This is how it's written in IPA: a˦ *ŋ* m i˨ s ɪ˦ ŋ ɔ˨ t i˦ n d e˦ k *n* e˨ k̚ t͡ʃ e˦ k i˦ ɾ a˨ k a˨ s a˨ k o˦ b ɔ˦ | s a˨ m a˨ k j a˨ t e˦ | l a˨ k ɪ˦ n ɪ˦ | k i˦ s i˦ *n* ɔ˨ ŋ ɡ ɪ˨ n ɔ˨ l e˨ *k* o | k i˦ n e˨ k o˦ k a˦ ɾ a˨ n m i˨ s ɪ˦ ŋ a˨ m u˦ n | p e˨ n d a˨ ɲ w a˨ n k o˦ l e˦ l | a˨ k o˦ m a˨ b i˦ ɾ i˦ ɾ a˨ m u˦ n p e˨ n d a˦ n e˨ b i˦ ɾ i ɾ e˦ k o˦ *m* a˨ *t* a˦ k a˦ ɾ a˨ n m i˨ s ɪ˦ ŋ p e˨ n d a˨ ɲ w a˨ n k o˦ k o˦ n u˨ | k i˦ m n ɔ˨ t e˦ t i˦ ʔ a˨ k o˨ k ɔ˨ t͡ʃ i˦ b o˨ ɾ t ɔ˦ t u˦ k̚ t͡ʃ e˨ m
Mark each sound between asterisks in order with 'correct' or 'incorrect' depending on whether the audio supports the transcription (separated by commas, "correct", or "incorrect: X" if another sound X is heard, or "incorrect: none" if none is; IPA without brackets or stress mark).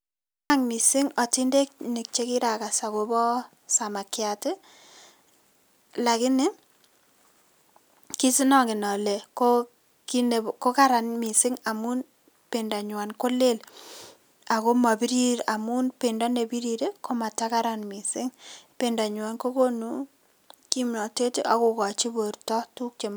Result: correct, correct, correct, correct, correct, correct